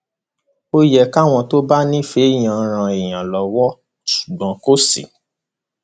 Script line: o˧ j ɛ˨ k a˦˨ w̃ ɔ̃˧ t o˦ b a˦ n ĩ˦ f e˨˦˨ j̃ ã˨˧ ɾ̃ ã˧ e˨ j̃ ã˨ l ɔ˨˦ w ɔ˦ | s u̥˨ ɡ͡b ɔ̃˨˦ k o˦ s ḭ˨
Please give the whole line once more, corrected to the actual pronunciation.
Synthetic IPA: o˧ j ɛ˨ k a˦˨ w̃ ɔ̃˧ t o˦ b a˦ n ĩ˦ f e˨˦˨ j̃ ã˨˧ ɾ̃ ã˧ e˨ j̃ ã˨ l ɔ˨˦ w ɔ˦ | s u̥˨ ɡ͡b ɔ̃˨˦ k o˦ s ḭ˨